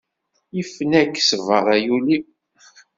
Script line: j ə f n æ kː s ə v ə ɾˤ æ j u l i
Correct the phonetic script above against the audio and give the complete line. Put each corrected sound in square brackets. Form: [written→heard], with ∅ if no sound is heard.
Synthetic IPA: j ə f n æ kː s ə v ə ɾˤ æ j u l i